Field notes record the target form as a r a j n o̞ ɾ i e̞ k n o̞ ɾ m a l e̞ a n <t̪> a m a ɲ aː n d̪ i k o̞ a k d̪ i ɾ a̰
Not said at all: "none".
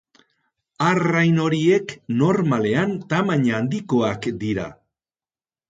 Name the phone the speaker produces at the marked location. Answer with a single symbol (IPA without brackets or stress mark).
t̪